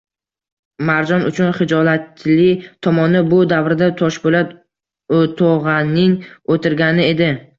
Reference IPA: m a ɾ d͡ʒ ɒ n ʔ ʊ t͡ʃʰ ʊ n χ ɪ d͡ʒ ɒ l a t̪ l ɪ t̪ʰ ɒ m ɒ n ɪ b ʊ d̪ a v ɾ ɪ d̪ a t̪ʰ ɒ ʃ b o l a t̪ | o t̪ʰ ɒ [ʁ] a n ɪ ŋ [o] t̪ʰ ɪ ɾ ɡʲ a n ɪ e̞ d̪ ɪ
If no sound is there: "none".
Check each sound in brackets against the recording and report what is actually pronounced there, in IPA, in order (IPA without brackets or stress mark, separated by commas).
ʁ, o